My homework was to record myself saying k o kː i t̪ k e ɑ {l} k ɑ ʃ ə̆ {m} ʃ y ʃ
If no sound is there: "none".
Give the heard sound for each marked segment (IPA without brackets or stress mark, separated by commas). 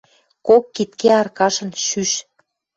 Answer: r, n